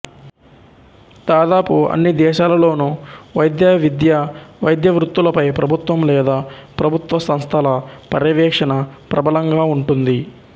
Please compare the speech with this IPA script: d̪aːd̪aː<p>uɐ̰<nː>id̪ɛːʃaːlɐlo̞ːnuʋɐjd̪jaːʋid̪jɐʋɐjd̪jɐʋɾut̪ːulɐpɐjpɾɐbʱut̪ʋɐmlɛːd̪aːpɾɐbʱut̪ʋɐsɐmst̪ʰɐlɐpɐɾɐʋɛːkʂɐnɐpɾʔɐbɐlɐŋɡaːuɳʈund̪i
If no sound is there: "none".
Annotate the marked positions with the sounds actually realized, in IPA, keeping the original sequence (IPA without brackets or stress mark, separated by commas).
p, nː